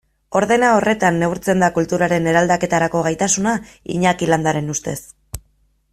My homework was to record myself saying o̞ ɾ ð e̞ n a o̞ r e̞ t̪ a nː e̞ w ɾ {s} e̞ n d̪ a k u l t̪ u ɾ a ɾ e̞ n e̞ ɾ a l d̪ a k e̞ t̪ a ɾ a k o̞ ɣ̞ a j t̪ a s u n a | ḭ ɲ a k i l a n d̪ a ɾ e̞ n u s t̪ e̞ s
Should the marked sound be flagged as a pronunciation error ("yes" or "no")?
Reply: yes